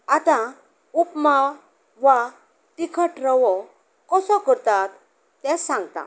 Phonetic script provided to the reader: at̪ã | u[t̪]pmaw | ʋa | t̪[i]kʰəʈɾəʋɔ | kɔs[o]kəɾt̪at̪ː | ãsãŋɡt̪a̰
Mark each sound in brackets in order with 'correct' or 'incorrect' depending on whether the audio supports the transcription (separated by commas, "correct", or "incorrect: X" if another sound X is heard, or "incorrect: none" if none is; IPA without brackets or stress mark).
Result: incorrect: none, correct, incorrect: ɔ